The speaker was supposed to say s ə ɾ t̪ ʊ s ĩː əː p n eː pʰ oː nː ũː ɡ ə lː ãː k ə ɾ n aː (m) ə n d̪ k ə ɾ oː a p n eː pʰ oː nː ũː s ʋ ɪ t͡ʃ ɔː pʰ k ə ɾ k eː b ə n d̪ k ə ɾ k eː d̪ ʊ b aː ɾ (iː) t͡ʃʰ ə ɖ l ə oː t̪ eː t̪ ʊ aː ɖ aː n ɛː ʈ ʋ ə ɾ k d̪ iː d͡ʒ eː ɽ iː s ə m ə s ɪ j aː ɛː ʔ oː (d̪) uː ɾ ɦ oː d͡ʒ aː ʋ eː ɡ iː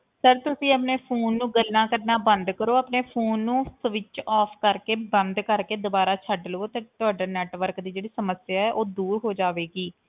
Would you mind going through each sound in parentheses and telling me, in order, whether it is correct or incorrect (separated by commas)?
incorrect, incorrect, correct